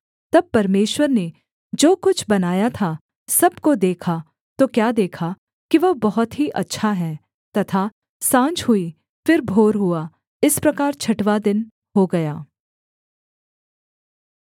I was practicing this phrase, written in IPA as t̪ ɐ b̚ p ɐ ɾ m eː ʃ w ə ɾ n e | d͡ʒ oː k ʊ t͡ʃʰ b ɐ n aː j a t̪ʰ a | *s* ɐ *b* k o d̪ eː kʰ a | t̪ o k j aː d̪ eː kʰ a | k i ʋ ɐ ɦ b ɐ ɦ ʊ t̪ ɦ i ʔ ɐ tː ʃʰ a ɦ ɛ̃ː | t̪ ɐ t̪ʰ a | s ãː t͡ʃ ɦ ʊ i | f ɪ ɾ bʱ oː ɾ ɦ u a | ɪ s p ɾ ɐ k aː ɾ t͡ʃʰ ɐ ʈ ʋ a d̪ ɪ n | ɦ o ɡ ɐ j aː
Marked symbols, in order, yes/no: yes, yes

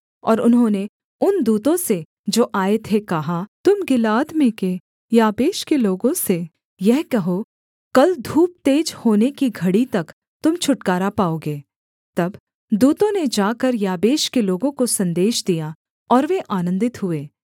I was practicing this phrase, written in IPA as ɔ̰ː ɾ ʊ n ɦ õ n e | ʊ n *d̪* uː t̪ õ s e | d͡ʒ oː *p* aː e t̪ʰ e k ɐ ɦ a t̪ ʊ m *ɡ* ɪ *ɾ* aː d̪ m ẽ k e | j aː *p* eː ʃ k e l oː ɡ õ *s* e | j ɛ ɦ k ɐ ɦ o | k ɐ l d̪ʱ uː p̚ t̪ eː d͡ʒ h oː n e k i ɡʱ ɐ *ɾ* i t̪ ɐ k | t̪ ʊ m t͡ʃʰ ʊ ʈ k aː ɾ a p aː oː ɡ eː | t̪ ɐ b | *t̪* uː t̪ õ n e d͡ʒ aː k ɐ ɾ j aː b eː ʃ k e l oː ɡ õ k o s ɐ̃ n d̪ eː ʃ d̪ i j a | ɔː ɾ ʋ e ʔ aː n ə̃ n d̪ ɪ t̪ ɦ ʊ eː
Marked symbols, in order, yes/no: yes, no, yes, no, no, yes, no, no

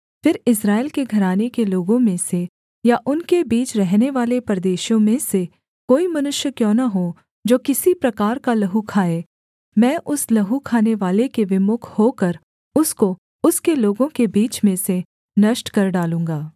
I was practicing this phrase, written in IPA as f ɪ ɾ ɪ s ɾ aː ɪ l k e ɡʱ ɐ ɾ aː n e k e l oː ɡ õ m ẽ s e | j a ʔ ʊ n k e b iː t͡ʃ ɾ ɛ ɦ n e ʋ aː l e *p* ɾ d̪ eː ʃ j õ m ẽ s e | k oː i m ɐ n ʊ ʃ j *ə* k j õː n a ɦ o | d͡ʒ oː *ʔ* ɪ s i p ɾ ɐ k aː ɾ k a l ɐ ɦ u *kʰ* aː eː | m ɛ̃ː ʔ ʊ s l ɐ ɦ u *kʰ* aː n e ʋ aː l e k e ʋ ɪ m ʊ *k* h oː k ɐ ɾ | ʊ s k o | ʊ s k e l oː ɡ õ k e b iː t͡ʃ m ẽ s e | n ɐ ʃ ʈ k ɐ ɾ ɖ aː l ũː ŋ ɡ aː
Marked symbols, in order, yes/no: yes, yes, no, yes, yes, no

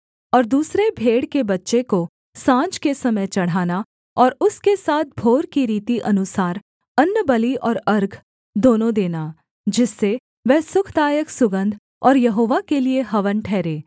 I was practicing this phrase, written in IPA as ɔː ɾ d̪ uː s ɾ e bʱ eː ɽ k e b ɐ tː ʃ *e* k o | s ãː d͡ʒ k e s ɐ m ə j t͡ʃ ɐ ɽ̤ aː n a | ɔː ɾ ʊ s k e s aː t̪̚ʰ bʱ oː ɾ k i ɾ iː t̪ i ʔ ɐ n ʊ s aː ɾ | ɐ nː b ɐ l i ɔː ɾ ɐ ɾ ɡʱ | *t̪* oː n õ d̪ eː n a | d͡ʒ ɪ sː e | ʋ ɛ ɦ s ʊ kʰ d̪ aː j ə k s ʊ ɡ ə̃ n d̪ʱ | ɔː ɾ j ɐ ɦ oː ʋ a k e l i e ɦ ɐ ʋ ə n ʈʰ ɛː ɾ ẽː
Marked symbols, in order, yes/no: yes, no

